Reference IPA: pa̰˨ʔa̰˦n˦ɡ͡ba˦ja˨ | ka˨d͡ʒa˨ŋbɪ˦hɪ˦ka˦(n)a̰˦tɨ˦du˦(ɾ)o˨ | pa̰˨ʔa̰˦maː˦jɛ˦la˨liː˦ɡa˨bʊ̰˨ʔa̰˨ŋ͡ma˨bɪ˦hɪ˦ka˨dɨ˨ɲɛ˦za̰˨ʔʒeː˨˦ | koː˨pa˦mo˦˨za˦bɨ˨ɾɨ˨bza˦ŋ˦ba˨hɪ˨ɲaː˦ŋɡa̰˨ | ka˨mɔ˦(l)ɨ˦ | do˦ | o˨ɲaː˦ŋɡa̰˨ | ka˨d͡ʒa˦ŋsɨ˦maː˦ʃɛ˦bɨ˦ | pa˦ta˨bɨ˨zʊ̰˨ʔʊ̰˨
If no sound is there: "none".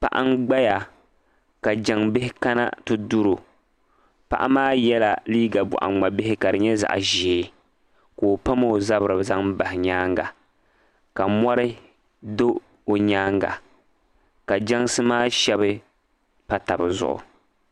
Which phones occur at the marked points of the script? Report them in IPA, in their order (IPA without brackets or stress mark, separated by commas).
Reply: n, ɾ, ɾ